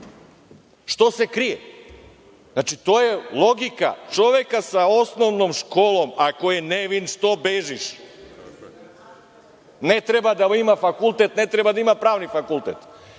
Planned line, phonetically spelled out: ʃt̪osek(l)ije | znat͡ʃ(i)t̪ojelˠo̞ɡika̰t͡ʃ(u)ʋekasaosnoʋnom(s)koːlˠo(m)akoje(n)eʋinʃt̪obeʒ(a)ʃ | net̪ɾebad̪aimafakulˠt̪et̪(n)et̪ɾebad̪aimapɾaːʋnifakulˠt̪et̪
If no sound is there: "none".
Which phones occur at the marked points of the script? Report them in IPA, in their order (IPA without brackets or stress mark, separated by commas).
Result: ɾ, i, o, ʃ, m, n, i, n